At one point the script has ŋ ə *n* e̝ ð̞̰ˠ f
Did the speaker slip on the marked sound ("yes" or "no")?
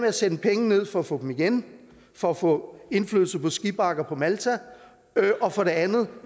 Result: no